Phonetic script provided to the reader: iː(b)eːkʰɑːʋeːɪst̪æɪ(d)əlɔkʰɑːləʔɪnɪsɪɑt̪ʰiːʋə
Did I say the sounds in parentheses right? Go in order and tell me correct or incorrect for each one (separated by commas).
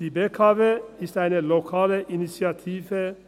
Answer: correct, incorrect